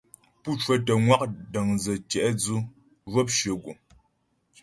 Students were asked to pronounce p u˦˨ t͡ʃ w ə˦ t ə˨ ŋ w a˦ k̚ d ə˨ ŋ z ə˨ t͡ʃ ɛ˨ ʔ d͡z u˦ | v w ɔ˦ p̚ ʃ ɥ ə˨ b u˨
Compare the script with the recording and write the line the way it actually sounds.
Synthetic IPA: p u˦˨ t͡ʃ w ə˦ t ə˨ ŋ w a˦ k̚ d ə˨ ŋ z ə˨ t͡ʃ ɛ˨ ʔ d͡z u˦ | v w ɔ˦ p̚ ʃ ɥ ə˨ ɡ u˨